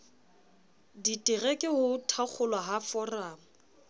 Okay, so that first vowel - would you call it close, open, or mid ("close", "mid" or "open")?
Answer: close